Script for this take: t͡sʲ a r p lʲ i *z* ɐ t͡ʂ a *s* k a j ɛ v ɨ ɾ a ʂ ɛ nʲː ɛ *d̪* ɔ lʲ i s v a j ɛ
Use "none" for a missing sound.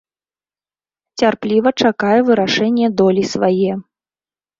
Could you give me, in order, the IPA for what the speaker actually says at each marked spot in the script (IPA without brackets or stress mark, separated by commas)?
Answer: v, none, d̪